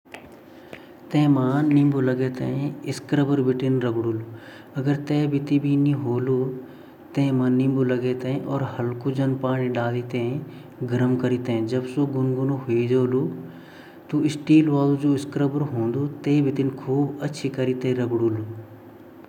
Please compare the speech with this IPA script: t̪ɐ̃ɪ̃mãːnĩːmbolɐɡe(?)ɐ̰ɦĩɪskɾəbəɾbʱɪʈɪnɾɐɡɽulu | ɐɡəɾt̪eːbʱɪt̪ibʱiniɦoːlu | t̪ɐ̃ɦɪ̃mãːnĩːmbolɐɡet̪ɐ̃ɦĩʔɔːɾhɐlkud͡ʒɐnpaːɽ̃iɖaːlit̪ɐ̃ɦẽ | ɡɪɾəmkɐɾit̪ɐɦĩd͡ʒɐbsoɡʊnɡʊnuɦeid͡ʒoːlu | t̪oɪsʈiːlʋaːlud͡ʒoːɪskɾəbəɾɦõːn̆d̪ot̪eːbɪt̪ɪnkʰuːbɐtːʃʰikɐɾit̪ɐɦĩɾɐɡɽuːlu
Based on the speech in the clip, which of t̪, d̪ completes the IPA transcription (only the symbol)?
t̪